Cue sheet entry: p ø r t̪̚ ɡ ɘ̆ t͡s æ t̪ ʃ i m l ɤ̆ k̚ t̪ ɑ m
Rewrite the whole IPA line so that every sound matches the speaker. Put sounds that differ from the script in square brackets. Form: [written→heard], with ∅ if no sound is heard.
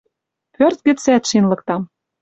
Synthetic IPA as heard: p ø r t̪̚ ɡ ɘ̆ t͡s æ t̪ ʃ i [m→n] l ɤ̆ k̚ t̪ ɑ m

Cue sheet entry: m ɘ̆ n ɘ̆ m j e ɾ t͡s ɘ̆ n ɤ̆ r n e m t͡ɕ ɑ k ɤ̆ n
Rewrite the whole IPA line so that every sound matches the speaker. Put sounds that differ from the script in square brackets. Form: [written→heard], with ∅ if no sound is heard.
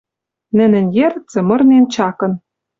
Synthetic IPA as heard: [m→n] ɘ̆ n ɘ̆ [m→n] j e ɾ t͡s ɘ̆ [n→m] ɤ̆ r n e [m→n] t͡ɕ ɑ k ɤ̆ n

